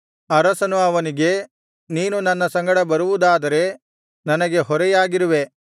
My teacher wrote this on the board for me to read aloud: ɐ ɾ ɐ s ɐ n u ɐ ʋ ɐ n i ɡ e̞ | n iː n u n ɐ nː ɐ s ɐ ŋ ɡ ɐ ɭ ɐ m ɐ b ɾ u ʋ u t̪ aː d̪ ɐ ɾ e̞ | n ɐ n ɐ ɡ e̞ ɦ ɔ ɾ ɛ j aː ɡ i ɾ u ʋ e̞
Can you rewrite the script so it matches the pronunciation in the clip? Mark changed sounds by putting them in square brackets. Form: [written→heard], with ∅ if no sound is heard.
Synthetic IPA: ɐ ɾ ɐ s ɐ n u ɐ ʋ ɐ n i ɡ e̞ | n iː n u n ɐ nː ɐ s ɐ ŋ ɡ ɐ [ɭ→ɽ] ɐ [m→b] ɐ [b→∅] ɾ u ʋ u [t̪→d̪] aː d̪ ɐ ɾ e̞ | n ɐ n ɐ ɡ e̞ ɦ ɔ ɾ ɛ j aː ɡ i ɾ u ʋ e̞

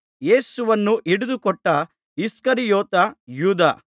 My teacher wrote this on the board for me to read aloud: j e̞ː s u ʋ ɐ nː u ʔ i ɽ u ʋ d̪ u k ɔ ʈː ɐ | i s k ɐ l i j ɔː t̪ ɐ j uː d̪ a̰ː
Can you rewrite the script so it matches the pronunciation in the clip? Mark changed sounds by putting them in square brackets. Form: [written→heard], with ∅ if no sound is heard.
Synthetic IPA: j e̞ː s u ʋ ɐ nː u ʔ i ɽ u [ʋ→∅] d̪ u k ɔ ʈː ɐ | i s k ɐ [l→ɾ] i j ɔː t̪ ɐ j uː d̪ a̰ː

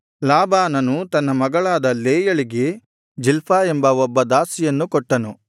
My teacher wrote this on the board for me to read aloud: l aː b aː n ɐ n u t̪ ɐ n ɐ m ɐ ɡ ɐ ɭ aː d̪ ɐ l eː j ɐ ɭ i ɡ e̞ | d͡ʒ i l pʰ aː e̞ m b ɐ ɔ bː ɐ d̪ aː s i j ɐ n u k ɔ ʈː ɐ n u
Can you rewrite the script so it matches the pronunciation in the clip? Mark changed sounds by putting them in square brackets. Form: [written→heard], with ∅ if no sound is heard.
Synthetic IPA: l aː b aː n ɐ n u t̪ ɐ [n→nː] ɐ m ɐ ɡ ɐ ɭ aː d̪ ɐ l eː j ɐ ɭ i ɡ e̞ | d͡ʒ i l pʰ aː e̞ m b ɐ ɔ bː ɐ d̪ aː s i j ɐ [n→nː] u k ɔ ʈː ɐ n u

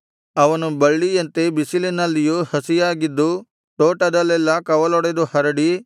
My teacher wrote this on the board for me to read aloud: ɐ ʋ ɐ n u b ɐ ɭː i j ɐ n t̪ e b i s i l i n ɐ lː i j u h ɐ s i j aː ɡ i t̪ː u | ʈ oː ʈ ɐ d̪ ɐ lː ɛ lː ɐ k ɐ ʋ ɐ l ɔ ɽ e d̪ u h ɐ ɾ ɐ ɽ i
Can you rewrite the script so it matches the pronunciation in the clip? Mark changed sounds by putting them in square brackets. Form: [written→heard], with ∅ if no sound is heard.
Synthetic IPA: ɐ ʋ ɐ n u b ɐ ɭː i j ɐ n t̪ e b i s i l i n ɐ lː i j u h ɐ s i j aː ɡ i [t̪ː→d̪ː] u | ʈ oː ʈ ɐ d̪ ɐ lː ɛ lː ɐ k ɐ ʋ ɐ l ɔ ɽ e d̪ u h ɐ ɾ ɐ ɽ i

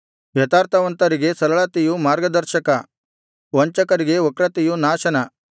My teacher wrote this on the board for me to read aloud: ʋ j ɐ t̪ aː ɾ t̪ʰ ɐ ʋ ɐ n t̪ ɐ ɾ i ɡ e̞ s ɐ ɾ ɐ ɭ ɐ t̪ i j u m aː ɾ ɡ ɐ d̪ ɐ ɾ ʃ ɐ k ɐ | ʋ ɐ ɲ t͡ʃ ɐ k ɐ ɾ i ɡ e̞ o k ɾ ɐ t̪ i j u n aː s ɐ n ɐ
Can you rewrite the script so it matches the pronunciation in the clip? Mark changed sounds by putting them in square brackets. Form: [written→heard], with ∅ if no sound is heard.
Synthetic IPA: ʋ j ɐ t̪ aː ɾ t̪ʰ ɐ ʋ ɐ n t̪ ɐ ɾ i ɡ e̞ s ɐ ɾ ɐ ɭ ɐ t̪ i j u m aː ɾ ɡ ɐ d̪ ɐ ɾ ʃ ɐ k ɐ | ʋ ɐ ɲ t͡ʃ ɐ k ɐ ɾ i ɡ e̞ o k ɾ ɐ t̪ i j u n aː [s→ʃ] ɐ n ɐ

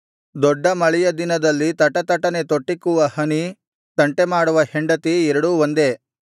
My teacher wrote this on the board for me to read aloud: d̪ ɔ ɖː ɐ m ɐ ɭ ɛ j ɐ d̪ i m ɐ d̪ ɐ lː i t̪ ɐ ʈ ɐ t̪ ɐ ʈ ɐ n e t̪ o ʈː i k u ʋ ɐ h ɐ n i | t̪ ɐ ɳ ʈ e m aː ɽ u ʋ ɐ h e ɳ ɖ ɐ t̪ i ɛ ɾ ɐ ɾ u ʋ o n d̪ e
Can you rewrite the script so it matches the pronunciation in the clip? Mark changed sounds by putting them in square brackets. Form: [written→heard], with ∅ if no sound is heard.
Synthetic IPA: d̪ ɔ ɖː ɐ m ɐ ɭ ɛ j ɐ d̪ i [m→n] ɐ d̪ ɐ lː i t̪ ɐ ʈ ɐ t̪ ɐ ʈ ɐ n e t̪ o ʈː i k u ʋ ɐ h ɐ n i | t̪ ɐ ɳ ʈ e m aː ɽ u ʋ ɐ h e ɳ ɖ ɐ t̪ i ɛ ɾ ɐ [ɾ→ɽ] u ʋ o n d̪ e

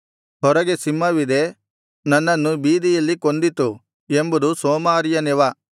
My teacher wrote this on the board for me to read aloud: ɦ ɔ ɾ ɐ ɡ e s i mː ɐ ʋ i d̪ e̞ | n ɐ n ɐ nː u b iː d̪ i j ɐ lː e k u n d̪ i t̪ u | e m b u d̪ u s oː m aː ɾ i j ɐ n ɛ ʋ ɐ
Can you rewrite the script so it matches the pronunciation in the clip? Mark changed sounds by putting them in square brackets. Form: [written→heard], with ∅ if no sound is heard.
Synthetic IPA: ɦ ɔ ɾ ɐ ɡ e s i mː ɐ ʋ i d̪ e̞ | n ɐ [n→nː] ɐ nː u b iː d̪ i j ɐ lː [e→i] k [u→o] n d̪ i t̪ u | e m b u d̪ u s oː m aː ɾ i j ɐ n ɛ ʋ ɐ

